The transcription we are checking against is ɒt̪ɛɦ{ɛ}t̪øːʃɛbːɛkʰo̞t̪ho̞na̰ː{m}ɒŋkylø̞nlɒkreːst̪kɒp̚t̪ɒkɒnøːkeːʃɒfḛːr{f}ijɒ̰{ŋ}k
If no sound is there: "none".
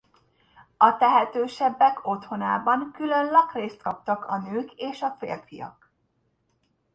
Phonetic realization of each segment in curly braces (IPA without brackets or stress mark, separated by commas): ɛ, b, f, none